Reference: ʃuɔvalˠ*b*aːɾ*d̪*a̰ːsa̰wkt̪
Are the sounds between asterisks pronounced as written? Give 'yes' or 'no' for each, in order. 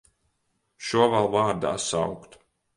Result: no, yes

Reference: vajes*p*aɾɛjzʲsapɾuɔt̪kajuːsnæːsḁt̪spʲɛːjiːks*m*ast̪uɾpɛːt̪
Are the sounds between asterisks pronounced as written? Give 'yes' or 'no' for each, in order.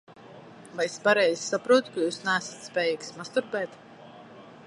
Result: yes, yes

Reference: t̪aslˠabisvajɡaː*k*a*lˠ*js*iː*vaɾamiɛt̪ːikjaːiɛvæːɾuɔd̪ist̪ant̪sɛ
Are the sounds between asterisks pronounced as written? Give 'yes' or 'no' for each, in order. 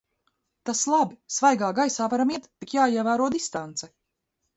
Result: no, no, no

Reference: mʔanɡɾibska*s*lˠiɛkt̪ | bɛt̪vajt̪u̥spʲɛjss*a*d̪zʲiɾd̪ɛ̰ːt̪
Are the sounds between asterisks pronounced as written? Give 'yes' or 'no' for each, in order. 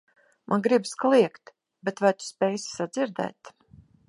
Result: no, yes

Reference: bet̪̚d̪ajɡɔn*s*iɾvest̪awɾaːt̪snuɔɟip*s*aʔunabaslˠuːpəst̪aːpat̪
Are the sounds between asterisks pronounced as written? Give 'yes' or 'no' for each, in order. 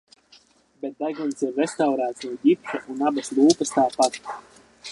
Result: yes, no

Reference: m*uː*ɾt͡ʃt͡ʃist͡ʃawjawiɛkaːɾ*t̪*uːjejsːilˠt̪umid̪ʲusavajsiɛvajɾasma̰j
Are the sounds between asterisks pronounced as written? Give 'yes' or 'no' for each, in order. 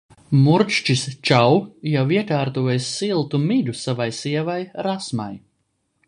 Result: no, yes

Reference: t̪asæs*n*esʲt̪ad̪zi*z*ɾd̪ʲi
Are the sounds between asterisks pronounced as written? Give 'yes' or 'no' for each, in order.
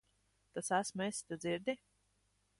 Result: no, no

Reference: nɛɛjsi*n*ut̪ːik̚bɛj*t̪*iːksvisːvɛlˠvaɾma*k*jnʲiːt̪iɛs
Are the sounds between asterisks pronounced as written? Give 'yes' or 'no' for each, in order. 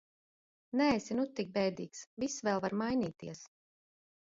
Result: yes, no, no

